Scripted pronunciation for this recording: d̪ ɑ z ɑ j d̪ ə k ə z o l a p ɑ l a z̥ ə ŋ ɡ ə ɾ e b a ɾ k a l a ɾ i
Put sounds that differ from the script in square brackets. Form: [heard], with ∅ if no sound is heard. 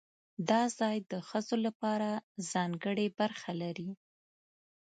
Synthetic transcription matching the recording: d̪ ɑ z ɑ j d̪ ə [x] ə z o l a p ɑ [ɾ] a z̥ [ɑ] ŋ ɡ ə [ɽ] e b a ɾ [x] a l a ɾ i